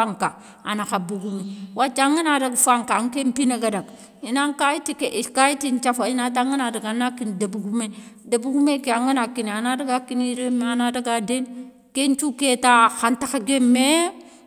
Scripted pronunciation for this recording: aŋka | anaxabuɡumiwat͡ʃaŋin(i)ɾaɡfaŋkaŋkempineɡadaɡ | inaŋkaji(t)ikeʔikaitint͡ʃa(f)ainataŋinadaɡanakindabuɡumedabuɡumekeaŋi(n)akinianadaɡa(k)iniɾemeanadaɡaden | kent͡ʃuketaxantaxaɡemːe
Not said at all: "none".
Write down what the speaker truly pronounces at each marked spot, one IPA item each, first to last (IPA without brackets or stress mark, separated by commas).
a, t, f, n, k